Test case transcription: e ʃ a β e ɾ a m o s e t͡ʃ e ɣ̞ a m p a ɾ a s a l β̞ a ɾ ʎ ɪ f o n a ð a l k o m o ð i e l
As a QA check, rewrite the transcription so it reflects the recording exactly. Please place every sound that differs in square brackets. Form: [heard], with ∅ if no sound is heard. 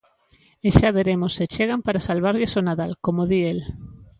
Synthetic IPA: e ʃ a β e ɾ [e] m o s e t͡ʃ e ɣ̞ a m p a ɾ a s a l β̞ a ɾ ʎ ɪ [s] o n a ð a l k o m o ð i e l